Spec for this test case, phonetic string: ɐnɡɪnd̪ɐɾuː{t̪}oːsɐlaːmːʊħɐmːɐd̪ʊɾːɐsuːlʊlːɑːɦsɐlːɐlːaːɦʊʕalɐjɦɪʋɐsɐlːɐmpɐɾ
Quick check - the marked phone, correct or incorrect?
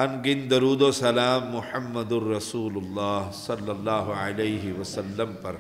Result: incorrect